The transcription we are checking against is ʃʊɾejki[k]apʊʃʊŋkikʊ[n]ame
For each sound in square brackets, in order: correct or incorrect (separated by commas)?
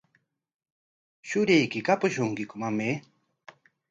correct, incorrect